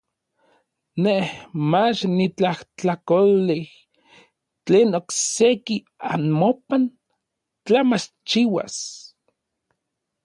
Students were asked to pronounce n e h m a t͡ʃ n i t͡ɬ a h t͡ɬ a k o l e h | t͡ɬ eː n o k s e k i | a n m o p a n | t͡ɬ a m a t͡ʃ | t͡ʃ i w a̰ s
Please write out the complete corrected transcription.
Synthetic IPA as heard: n e h m a t͡ʃ n i t͡ɬ a h t͡ɬ a k o l i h | t͡ɬ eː n o k s e k i | a n m o p a n | t͡ɬ a m a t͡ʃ | t͡ʃ i w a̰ s